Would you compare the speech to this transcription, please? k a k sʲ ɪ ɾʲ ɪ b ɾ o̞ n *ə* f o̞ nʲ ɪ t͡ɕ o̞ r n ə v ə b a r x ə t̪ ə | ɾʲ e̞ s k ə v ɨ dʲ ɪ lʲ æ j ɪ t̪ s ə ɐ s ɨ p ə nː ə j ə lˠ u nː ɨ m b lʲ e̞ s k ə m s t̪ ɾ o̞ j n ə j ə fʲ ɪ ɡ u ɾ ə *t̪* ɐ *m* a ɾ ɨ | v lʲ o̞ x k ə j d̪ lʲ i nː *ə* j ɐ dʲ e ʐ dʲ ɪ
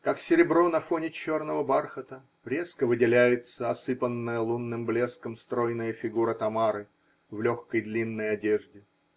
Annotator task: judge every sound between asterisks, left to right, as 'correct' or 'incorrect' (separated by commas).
incorrect, correct, correct, correct